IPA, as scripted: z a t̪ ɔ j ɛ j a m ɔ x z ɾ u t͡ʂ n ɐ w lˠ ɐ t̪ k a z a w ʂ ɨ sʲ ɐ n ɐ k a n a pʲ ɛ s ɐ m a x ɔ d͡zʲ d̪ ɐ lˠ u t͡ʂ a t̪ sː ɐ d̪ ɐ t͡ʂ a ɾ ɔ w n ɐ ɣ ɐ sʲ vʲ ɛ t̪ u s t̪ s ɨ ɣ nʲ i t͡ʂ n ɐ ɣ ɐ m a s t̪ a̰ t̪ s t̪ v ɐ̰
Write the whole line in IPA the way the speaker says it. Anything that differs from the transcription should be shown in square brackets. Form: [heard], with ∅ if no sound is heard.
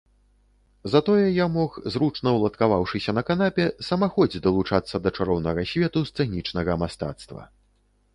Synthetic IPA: z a t̪ ɔ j ɛ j a m ɔ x z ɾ u t͡ʂ n ɐ w lˠ ɐ t̪ k a [v] a w ʂ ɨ sʲ ɐ n ɐ k a n a pʲ ɛ s ɐ m a x ɔ d͡zʲ d̪ ɐ lˠ u t͡ʂ a t̪ sː ɐ d̪ ɐ t͡ʂ a ɾ ɔ w n ɐ ɣ ɐ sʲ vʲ ɛ t̪ u s t̪ s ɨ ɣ nʲ i t͡ʂ n ɐ ɣ ɐ m a s t̪ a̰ t̪ s t̪ v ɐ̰